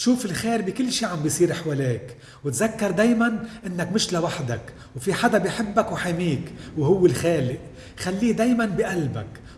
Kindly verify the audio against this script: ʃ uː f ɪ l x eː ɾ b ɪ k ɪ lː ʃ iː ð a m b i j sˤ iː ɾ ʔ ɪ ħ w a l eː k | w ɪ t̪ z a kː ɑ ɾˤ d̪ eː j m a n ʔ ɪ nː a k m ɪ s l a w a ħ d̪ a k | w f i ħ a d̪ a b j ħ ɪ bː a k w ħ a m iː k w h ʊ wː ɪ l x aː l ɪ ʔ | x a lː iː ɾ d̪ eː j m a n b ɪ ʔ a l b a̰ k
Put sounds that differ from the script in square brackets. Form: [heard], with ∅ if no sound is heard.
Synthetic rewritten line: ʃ uː f ɪ l x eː ɾ b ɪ k ɪ lː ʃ iː [ʕ] a m b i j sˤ iː ɾ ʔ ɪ ħ w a l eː k | w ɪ t̪ z a kː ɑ ɾˤ d̪ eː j m a n ʔ ɪ nː a k m ɪ [ʃ] l a w a ħ d̪ a k | w f i ħ a d̪ a b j ħ ɪ bː a k w ħ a m iː k w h ʊ wː ɪ l x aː l ɪ ʔ | x a lː iː [∅] d̪ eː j m a n b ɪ ʔ a l b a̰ k